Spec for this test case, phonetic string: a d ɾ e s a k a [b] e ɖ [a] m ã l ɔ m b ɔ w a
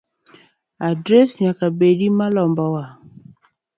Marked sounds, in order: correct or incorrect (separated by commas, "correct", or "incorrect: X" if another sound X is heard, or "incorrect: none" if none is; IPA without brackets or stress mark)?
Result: correct, incorrect: i